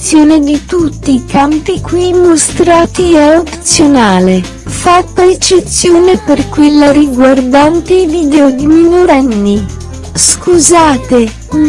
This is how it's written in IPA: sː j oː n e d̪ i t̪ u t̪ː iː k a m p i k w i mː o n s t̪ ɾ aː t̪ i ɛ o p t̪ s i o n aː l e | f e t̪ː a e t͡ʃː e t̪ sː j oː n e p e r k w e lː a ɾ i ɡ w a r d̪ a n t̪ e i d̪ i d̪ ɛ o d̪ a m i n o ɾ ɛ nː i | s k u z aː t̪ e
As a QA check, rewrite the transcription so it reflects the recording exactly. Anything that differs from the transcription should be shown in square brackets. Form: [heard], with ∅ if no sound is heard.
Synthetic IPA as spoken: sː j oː n e d̪ i t̪ u t̪ː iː k a m p i k w i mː o [∅] s t̪ ɾ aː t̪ i ɛ o p t̪ s [j] o n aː l e | f [a] t̪ː a e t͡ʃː e t̪ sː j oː n e p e r k w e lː a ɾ i ɡ w a r d̪ a n t̪ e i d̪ i d̪ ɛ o d̪ [i] m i n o ɾ ɛ nː i | s k u z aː t̪ e

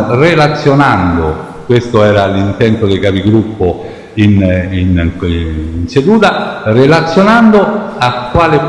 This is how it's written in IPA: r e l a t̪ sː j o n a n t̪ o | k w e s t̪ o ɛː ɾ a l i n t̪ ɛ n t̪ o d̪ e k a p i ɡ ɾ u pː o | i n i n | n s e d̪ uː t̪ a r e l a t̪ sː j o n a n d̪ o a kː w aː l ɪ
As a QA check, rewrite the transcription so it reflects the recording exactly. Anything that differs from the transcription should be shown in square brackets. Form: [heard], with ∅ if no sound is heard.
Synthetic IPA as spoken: r e l a t̪ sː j o n a n [d̪] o | k w e s t̪ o ɛː ɾ a l i n t̪ ɛ n t̪ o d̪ e k a p i ɡ ɾ u pː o | i n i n | n s e d̪ uː t̪ a r e l a t̪ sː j o n a n d̪ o a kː w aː l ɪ

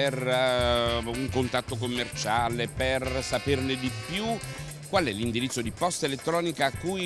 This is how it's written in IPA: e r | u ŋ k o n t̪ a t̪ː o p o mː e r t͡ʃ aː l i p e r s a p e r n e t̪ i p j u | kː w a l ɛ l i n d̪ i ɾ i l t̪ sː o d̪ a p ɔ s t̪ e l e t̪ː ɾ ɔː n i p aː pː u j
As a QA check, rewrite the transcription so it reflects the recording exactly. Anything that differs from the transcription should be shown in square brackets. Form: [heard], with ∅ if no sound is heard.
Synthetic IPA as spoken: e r | u ŋ k o n t̪ a t̪ː o [k] o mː e r t͡ʃ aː l [e] p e r s a p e r n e [d̪] i p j u | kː w a l ɛ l i n d̪ i ɾ i [∅] t̪ sː o d̪ [i] p ɔ s t̪ e l e t̪ː ɾ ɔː n i [k] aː [kː] u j

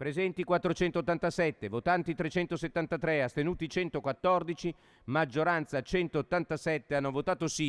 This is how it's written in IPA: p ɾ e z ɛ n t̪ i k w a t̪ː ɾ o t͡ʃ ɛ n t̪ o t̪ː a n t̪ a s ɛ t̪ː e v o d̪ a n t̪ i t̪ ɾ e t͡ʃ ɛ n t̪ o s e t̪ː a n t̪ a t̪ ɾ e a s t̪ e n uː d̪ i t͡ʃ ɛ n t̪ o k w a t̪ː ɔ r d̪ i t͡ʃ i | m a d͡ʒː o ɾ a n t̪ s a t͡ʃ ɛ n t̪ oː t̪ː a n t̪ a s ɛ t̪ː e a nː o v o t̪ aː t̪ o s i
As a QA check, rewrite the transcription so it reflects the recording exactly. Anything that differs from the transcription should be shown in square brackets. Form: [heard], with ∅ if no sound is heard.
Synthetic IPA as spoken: p ɾ e z ɛ n t̪ i k w a t̪ː ɾ o t͡ʃ ɛ n t̪ o t̪ː a n t̪ a s ɛ t̪ː e v o [t̪] a n t̪ i t̪ ɾ e t͡ʃ ɛ n t̪ o s e t̪ː a n t̪ a t̪ ɾ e a s t̪ e n uː [t̪] i t͡ʃ ɛ n t̪ o k w a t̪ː ɔ r d̪ i t͡ʃ i | m a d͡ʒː o ɾ a n t̪ s a t͡ʃ ɛ n t̪ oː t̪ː a n t̪ a s ɛ t̪ː e a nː o v o t̪ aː t̪ o s i

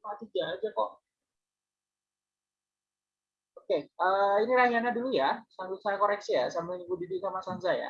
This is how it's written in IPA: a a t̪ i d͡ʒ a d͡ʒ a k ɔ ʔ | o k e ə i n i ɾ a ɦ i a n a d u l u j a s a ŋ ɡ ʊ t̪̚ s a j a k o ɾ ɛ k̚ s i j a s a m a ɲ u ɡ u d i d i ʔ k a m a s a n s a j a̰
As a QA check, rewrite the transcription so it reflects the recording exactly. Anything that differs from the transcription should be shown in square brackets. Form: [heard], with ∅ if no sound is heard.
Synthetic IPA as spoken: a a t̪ i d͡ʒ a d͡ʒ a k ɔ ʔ | o k e ə i n i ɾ a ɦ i a n a d u l u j a s a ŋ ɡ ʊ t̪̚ s a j a k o ɾ ɛ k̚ s i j a s a m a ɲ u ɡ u d i d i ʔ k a m a s a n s a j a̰

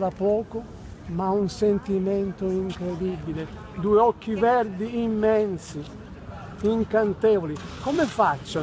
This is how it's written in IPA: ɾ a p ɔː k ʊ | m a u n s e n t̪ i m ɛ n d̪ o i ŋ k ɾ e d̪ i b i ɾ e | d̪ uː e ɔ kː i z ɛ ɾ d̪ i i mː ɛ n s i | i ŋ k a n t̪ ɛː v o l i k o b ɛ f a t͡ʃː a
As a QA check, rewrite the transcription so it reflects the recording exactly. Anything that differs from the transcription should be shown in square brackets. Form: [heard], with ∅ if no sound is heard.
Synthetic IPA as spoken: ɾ a p ɔː k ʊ | m a u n s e n t̪ i m ɛ n [t̪] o i ŋ k ɾ e d̪ i b i [l] e | d̪ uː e ɔ kː i [v] ɛ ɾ d̪ i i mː ɛ n s i | i ŋ k a n t̪ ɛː v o l i k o [m] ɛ f a t͡ʃː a

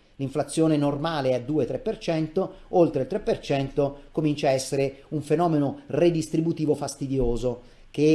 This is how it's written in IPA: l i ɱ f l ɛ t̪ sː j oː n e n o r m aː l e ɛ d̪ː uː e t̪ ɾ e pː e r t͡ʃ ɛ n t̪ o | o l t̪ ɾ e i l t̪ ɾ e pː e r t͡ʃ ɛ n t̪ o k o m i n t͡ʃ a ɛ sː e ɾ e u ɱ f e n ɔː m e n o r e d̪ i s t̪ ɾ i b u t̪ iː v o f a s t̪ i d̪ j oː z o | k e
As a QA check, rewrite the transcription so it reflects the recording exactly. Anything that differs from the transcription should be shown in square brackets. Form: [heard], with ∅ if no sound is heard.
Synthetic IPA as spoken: l i ɱ f l [a] t̪ sː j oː n e n o r m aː l e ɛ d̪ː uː e t̪ ɾ e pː e r t͡ʃ ɛ n t̪ o | o l t̪ ɾ e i l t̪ ɾ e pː e r t͡ʃ ɛ n t̪ o k o m i n t͡ʃ a ɛ sː e ɾ e u ɱ f e n ɔː m e n o r e d̪ i s t̪ ɾ i b u t̪ iː v o f a s t̪ i d̪ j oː z o | k e

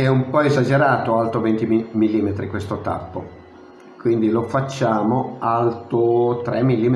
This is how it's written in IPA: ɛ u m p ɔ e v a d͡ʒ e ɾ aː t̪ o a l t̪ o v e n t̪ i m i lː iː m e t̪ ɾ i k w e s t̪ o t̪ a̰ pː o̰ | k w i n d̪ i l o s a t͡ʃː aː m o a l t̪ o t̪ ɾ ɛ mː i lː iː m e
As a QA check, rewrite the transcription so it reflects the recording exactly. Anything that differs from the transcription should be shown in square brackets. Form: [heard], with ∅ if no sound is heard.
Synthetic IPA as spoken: ɛ u m p ɔ e [z] a d͡ʒ e ɾ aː t̪ o a l t̪ o v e n t̪ i m i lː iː m e t̪ ɾ i k w e s t̪ o t̪ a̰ pː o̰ | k w i n d̪ i l o [f] a t͡ʃː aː m o a l t̪ o t̪ ɾ ɛ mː i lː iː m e

